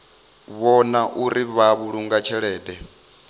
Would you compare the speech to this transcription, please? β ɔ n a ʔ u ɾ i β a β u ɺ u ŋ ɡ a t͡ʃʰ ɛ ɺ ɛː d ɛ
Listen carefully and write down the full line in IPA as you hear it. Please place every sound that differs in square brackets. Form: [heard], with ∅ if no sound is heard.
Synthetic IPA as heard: β ɔ n a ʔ u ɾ i β a β u ɺ u ŋ ɡ a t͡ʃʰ ɛ ɺ ɛː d ɛ

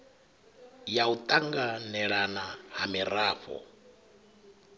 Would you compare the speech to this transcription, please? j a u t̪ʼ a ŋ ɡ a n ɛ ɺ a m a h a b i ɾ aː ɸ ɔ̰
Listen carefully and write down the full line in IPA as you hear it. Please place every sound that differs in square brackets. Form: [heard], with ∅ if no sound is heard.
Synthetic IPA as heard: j a u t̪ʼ a ŋ ɡ a n ɛ ɺ a [n] a h a [m] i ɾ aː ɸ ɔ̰

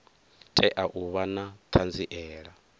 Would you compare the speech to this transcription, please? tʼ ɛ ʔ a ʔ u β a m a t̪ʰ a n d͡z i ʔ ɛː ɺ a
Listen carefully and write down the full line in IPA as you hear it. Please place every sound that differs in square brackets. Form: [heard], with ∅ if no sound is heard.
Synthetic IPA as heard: tʼ ɛ ʔ a ʔ u β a [n] a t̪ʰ a n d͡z i ʔ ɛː ɺ a

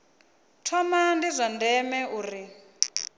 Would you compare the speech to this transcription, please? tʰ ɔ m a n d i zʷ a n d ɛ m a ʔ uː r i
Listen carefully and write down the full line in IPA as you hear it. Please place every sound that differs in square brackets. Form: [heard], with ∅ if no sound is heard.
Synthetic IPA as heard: tʰ ɔ m a n d i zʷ a n d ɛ m [ɛ] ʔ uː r i

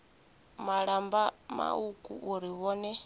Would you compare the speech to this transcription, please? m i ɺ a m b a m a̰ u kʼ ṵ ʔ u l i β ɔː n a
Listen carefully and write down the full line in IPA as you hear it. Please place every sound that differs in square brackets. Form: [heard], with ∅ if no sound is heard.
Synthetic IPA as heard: m [a] ɺ a m b a m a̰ u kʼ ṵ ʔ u [ɾ] i β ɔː n [ɛ]

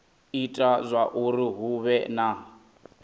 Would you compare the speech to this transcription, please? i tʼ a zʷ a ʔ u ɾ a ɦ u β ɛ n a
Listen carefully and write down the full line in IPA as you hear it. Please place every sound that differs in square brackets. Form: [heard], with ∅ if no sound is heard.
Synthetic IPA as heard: i tʼ a zʷ a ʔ u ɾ [i] ɦ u β ɛ n a

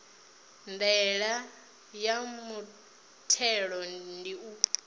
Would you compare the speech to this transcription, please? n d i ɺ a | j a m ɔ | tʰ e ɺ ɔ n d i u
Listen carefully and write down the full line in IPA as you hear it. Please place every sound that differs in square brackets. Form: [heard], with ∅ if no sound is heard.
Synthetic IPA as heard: n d [ɛ] ɺ a | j a m [u] | tʰ [ɛ] ɺ ɔ n d i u

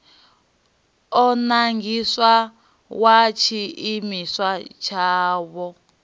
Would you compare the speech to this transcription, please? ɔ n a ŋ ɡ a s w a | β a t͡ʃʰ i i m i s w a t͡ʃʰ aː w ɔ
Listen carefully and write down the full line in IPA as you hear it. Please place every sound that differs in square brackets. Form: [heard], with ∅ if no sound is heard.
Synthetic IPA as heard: ɔ n a ŋ ɡ [i] s w a | [w] a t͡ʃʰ i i m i s w a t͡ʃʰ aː [β] ɔ

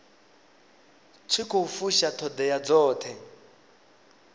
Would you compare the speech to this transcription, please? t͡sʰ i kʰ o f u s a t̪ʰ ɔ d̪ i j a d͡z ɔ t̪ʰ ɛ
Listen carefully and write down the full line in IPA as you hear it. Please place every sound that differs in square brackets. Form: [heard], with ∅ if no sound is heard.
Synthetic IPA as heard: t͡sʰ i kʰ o f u [ʃ] a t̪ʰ ɔ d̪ [ɛ] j a d͡z [ɔː] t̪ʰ ɛ

